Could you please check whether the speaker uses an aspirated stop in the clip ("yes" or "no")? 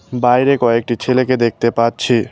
yes